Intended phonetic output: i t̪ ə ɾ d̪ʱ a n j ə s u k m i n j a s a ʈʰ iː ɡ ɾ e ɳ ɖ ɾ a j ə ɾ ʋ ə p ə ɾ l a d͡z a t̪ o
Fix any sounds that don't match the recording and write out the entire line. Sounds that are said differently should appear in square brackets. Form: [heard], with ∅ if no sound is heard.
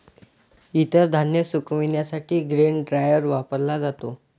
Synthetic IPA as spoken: i t̪ ə ɾ d̪ʱ a n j ə s u k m i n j a s a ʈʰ iː ɡ ɾ e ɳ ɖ ɾ a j ə ɾ ʋ [a] p ə ɾ l a d͡z a t̪ o